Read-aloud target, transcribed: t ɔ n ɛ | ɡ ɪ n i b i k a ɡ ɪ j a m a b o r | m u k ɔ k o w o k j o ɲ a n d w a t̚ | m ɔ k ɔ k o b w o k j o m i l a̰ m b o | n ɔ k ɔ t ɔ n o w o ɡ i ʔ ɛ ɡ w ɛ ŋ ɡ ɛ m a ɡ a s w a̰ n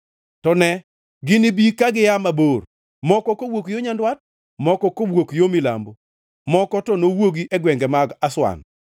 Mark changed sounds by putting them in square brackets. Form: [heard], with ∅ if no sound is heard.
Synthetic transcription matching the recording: t ɔ n ɛ | ɡ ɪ n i b i k a ɡ ɪ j a m a b o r | m [ɔ] k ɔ k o w o k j o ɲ a n d w a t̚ | m ɔ k ɔ k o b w o k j o m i l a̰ m b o | [m] ɔ k ɔ t ɔ n o w o ɡ i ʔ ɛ ɡ w ɛ ŋ ɡ ɛ m a ɡ a s w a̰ n